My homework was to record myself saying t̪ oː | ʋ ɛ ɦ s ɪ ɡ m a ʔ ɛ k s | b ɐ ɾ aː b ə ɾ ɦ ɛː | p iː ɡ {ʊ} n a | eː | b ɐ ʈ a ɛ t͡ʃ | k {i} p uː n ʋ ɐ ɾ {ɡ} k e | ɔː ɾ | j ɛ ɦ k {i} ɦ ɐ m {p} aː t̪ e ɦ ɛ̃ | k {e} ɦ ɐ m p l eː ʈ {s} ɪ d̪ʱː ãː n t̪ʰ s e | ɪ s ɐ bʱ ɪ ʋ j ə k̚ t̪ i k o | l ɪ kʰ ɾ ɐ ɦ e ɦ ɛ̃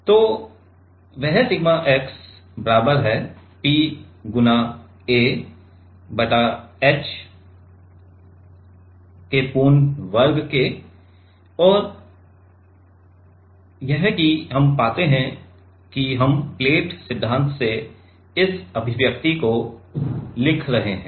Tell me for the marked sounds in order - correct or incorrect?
correct, incorrect: e, correct, correct, correct, incorrect: i, correct

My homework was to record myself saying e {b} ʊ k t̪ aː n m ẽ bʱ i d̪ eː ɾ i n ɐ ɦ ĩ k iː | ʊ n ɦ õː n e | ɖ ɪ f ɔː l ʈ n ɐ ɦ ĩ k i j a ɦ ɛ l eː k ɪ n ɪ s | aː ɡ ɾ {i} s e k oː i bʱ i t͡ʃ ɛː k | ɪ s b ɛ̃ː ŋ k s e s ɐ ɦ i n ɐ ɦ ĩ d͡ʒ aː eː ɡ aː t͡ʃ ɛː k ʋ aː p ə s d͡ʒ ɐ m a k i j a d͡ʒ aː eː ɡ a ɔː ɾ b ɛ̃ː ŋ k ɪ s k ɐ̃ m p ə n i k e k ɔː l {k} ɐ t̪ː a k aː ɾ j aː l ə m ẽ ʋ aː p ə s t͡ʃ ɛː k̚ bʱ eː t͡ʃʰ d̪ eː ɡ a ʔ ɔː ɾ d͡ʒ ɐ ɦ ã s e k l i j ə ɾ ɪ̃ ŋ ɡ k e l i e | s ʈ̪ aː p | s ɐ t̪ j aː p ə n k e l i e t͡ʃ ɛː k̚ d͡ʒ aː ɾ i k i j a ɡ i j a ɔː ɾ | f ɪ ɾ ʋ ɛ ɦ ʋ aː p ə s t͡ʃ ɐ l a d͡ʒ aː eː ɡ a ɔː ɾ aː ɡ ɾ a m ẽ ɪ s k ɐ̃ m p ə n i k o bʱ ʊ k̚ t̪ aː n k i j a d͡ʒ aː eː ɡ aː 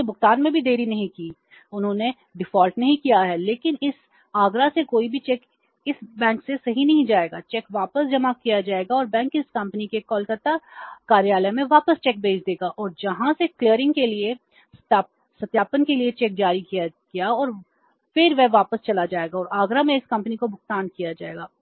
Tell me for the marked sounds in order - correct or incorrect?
correct, incorrect: a, correct

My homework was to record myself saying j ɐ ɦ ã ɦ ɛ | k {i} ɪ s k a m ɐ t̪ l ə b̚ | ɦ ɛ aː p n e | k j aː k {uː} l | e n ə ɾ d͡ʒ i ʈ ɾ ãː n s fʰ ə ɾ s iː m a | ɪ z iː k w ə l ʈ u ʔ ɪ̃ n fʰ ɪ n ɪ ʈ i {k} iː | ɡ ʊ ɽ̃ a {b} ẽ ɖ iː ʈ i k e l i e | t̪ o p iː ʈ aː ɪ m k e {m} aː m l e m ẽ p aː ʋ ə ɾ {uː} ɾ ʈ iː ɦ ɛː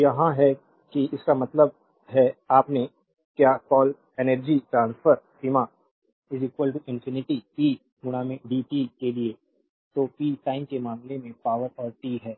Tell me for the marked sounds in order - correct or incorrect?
correct, incorrect: ɔː, incorrect: p, incorrect: m, correct, incorrect: ɔː

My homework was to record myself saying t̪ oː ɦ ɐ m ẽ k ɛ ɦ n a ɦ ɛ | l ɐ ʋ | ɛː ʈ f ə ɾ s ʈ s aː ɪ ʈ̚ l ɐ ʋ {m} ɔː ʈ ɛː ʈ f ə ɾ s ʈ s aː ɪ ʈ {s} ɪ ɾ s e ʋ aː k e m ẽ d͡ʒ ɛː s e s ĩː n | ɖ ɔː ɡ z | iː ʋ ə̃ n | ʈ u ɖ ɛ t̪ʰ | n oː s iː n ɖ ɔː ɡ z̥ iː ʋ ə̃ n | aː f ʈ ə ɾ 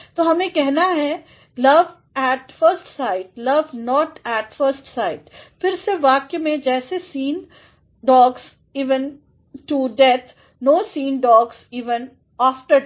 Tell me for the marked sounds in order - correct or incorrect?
incorrect: n, incorrect: f

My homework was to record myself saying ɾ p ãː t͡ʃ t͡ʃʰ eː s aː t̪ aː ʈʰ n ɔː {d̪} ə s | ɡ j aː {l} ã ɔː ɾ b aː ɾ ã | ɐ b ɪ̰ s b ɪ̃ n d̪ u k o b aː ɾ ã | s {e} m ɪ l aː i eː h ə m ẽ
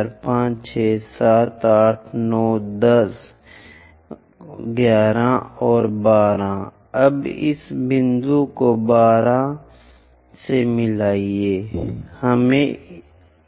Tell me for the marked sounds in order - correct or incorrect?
correct, incorrect: ɾ, correct

